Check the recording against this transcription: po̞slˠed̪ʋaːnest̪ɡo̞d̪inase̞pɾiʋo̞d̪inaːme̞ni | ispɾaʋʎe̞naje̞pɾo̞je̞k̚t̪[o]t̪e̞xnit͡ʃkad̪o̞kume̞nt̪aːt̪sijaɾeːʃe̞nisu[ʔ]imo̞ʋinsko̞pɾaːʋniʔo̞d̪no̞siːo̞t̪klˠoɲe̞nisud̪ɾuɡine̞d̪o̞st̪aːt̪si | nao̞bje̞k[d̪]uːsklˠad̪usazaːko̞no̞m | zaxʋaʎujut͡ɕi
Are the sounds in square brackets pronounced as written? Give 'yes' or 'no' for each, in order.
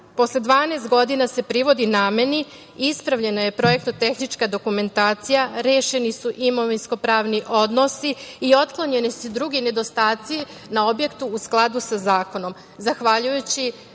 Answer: yes, yes, no

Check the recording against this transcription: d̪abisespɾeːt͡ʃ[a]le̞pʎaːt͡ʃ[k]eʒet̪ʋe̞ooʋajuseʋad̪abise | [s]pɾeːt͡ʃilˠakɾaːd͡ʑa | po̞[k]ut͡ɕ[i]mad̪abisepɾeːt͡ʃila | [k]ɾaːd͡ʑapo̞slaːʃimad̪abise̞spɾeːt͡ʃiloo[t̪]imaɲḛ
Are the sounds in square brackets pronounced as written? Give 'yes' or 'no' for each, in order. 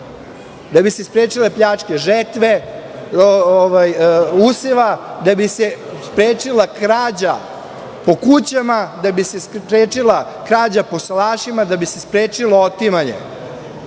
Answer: no, yes, yes, yes, no, yes, yes

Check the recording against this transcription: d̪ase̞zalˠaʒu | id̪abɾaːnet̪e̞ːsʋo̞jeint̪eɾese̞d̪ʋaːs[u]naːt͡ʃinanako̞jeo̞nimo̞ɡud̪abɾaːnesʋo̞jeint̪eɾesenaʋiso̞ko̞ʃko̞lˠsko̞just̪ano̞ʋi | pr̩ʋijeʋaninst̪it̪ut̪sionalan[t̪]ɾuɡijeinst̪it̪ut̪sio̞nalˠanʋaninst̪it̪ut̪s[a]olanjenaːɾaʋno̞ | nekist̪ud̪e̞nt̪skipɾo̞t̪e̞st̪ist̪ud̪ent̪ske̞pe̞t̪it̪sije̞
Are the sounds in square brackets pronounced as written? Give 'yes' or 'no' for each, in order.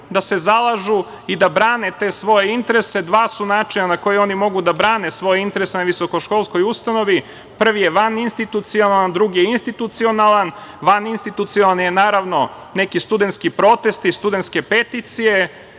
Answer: yes, no, no

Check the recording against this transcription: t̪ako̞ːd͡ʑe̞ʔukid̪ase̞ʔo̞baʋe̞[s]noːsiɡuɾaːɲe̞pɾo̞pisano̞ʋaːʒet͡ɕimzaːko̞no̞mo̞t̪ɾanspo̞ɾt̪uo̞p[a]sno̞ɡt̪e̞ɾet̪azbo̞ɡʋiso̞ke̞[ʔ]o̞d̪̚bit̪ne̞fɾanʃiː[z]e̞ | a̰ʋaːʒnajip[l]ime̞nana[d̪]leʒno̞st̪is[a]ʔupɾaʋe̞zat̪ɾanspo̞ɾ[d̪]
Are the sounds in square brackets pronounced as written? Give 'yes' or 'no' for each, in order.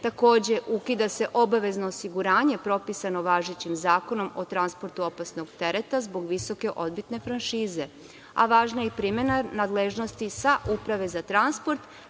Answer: no, yes, yes, yes, no, yes, yes, no

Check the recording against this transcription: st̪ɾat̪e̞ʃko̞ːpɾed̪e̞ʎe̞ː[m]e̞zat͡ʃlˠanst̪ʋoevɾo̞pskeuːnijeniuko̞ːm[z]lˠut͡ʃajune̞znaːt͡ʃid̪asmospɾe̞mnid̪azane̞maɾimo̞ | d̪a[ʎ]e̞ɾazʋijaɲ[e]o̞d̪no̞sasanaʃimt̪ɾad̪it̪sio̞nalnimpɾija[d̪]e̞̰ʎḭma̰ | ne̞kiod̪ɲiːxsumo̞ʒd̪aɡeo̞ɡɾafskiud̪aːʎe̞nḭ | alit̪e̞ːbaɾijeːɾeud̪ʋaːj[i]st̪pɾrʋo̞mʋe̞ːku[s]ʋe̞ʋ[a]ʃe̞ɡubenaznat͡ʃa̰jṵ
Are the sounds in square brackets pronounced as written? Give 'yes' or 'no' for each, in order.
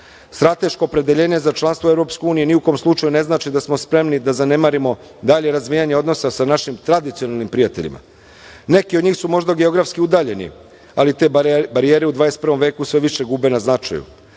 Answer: no, no, yes, yes, no, no, yes, no

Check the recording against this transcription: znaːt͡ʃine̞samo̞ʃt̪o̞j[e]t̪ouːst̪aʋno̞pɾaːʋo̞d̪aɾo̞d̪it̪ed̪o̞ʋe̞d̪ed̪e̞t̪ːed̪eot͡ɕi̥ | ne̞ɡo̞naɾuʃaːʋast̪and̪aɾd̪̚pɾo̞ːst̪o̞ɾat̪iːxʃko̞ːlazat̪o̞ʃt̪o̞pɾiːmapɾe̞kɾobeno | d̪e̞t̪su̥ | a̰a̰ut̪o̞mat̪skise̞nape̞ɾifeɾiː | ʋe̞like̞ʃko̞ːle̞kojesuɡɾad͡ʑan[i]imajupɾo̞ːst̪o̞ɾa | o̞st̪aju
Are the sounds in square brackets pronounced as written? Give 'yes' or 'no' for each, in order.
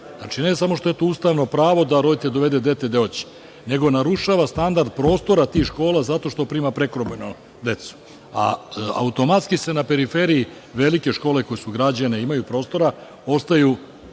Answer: yes, no

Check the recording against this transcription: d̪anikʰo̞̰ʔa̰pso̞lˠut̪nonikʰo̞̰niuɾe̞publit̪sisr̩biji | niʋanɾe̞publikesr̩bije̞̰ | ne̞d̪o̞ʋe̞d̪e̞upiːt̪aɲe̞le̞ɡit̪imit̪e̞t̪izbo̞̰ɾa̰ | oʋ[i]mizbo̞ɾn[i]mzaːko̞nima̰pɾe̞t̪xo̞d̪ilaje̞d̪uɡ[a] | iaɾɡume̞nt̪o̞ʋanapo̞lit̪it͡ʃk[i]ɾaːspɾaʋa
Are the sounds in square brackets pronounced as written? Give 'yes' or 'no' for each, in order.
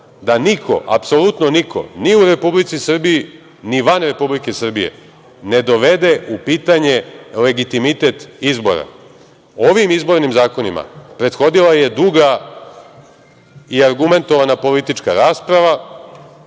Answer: yes, yes, yes, no

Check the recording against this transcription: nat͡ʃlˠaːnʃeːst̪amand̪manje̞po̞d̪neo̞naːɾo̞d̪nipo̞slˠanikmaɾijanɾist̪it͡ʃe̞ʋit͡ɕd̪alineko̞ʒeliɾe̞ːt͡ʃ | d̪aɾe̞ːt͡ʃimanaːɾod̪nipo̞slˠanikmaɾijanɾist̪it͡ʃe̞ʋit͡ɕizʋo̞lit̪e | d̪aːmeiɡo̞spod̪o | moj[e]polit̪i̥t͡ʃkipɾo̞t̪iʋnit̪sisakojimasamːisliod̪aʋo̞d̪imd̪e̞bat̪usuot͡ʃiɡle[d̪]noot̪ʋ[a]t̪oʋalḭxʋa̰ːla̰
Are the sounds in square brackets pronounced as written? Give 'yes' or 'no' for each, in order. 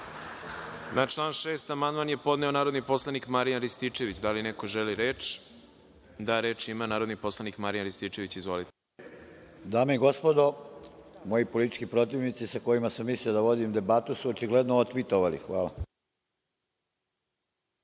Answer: no, yes, no

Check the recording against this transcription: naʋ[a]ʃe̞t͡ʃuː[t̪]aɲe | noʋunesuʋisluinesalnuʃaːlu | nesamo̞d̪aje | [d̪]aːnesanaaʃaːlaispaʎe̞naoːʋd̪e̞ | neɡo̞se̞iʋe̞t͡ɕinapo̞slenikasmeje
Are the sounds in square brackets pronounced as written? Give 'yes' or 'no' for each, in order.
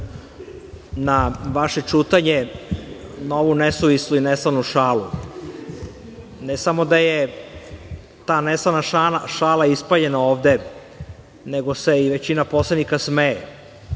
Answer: yes, yes, no

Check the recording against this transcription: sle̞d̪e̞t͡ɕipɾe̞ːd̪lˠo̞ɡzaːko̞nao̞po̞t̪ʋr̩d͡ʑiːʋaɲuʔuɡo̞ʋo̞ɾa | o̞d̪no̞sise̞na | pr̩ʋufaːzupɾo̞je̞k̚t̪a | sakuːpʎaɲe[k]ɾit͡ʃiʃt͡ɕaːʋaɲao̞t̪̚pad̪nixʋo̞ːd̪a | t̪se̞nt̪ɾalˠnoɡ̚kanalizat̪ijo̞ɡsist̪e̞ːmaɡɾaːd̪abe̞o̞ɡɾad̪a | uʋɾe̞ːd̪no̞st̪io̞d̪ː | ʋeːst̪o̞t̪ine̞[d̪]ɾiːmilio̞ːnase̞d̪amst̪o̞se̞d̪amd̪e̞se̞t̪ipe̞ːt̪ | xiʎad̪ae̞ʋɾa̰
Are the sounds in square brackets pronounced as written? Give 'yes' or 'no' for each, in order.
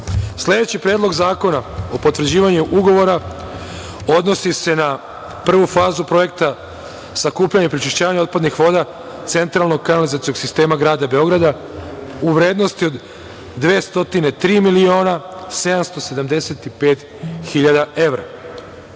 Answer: no, no

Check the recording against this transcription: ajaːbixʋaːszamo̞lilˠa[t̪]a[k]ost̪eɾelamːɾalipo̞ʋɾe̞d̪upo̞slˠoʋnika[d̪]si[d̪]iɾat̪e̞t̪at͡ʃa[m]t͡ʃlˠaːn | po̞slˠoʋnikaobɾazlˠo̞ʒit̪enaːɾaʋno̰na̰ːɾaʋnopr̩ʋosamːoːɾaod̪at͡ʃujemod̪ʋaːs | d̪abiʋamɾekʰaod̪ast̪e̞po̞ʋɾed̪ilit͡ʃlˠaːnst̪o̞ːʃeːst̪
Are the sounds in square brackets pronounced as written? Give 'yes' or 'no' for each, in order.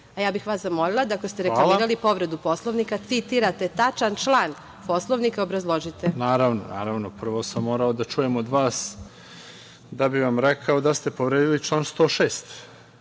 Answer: no, yes, no, no, no

